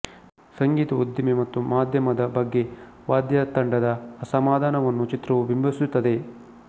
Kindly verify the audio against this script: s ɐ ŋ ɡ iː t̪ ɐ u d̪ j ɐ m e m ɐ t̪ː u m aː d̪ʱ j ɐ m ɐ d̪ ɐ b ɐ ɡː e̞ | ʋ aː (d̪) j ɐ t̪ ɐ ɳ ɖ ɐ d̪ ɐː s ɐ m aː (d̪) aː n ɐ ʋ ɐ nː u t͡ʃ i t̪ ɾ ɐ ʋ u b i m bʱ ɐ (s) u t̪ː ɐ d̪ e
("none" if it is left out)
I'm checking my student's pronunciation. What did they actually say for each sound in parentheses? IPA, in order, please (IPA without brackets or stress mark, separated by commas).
d̪, d̪, s